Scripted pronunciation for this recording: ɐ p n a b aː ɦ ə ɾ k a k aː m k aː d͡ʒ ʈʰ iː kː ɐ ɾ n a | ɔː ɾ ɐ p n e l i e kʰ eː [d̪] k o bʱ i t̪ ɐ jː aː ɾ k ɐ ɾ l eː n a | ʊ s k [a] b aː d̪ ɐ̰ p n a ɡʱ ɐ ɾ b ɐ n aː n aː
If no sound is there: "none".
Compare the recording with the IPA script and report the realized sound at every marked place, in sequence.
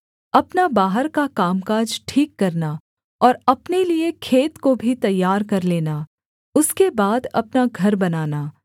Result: t̪, e

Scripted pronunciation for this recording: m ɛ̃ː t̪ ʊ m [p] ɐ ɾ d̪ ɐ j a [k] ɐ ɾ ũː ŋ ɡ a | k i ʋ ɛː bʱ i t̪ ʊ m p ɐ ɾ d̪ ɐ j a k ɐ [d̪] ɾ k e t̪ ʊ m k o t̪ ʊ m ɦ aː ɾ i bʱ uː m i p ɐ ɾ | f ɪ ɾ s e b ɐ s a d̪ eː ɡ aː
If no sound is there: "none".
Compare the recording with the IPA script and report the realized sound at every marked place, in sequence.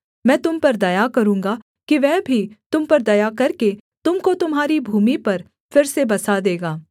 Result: p, k, none

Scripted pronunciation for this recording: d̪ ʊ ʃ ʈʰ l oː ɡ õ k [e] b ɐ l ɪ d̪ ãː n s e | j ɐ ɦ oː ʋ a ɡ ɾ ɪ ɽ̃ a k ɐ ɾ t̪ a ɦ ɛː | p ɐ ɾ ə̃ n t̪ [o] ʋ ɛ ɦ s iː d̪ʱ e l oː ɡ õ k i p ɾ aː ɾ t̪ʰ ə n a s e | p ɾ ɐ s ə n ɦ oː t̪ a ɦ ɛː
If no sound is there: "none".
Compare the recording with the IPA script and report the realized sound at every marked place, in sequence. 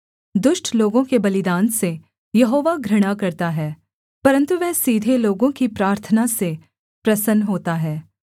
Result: e, u

